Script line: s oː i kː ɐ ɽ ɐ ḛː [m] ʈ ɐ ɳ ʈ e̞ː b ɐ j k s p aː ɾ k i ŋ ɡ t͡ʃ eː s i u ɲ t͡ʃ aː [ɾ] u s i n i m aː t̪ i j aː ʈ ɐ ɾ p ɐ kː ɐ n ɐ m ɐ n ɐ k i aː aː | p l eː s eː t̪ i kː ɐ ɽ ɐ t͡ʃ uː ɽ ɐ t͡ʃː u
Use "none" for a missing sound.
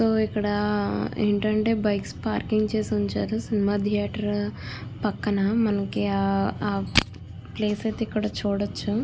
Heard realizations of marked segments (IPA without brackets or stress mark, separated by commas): ɳ, ɾ